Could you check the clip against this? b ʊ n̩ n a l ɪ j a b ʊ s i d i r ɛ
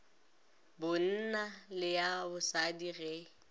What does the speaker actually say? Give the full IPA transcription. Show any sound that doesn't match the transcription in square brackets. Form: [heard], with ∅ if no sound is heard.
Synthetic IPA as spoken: b ʊ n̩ n a l ɪ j a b ʊ s [a] d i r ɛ